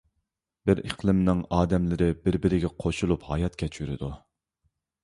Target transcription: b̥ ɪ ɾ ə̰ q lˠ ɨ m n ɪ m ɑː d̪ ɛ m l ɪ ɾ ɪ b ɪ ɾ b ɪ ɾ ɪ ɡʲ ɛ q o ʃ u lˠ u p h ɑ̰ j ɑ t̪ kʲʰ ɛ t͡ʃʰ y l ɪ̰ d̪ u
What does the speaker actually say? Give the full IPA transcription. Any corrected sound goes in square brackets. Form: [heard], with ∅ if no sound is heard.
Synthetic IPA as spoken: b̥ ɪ ɾ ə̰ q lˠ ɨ m n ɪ [ŋ] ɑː d̪ ɛ m l ɪ ɾ ɪ b ɪ ɾ b ɪ ɾ ɪ ɡʲ ɛ [qʰ] o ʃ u lˠ u p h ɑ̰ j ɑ t̪ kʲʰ ɛ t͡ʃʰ y [ɾ] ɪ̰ d̪ u

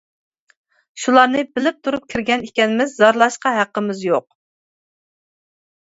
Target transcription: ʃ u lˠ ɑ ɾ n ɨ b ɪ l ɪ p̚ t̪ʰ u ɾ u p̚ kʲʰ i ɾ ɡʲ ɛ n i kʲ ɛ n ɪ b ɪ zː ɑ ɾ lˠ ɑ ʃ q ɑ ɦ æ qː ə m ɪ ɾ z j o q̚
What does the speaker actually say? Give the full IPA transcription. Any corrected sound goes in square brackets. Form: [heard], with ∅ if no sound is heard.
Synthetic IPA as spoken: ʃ u lˠ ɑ ɾ n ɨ b ɪ l ɪ p̚ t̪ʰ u ɾ u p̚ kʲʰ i ɾ ɡʲ ɛ n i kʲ ɛ n ɪ [m] ɪ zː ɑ ɾ lˠ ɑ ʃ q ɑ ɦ æ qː ə m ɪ [∅] z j o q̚

